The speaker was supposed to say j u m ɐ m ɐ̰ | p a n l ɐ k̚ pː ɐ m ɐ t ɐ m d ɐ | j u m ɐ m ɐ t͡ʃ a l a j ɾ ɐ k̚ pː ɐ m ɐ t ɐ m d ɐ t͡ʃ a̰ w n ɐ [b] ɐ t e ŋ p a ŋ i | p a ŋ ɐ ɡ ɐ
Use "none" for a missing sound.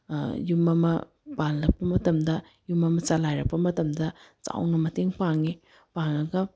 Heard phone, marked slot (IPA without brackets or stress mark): m